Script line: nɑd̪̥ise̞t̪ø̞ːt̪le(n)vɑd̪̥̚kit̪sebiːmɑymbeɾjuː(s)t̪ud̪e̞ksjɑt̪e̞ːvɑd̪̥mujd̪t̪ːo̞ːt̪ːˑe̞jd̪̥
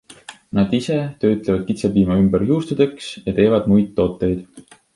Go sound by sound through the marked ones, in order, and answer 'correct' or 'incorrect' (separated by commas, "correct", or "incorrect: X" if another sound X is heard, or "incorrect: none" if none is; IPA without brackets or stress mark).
incorrect: none, correct